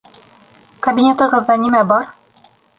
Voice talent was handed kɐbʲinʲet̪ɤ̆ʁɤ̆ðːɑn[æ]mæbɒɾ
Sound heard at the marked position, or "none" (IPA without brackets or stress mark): i